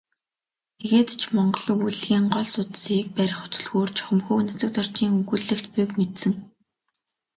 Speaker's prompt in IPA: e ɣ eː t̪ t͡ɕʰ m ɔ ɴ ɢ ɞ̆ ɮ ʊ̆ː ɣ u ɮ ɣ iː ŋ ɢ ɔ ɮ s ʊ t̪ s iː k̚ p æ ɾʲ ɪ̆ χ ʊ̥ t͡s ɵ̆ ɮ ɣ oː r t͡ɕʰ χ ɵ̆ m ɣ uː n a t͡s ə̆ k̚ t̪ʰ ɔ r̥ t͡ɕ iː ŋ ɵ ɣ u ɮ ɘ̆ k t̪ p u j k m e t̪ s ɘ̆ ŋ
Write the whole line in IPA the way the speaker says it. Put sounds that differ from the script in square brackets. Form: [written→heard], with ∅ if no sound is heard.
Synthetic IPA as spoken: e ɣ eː t̪ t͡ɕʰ m ɔ ɴ ɢ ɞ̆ ɮ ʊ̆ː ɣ u ɮ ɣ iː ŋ ɢ ɔ ɮ s ʊ t̪ s iː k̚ p æ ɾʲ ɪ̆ χ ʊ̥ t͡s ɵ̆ ɮ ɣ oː r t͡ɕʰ χ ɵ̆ m [ɣ→x] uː n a t͡s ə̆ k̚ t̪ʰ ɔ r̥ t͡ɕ iː ŋ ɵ ɣ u ɮ ɘ̆ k t̪ p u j k m e t̪ s ɘ̆ ŋ